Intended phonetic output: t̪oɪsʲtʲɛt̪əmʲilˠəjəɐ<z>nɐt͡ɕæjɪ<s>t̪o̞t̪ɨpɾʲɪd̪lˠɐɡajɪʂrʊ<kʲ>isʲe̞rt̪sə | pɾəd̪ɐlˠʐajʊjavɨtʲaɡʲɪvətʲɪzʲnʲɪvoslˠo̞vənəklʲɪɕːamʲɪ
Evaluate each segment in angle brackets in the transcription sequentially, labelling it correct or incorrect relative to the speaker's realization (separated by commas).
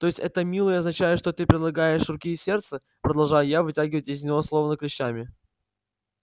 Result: correct, incorrect, correct